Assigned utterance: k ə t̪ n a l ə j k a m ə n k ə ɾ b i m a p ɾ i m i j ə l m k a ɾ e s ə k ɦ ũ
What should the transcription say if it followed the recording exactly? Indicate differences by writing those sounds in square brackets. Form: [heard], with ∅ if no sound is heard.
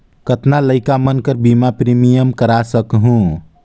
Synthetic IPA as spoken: k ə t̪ n a l ə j k a m ə n k ə ɾ b i m a p ɾ i m i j ə [∅] m k [ə] ɾ [a] s ə k ɦ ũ